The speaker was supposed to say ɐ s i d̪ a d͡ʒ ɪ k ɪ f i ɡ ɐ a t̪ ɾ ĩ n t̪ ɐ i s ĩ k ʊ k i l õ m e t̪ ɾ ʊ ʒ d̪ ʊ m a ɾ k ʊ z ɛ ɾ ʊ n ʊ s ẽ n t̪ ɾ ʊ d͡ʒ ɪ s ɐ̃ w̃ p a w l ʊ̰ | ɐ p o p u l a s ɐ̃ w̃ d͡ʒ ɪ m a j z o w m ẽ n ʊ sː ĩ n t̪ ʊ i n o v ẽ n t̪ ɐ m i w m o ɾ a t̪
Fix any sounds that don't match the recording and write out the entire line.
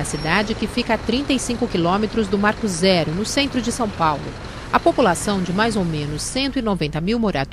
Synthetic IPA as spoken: ɐ s i d̪ a d͡ʒ ɪ k ɪ f i k ɐ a t̪ ɾ ĩ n t̪ ɐ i s ĩ k ʊ k i l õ m e t̪ ɾ ʊ z d̪ ʊ m a ɾ k ʊ z ɛ ɾ ʊ n ʊ s ẽ n t̪ ɾ ʊ d͡ʒ ɪ s ɐ̃ w̃ p a w l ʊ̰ | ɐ p o p u l a s ɐ̃ w̃ d͡ʒ ɪ m a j z o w m ẽ n ʊ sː ẽ n t̪ ʊ i n o v ẽ n t̪ ɐ m i w m o ɾ a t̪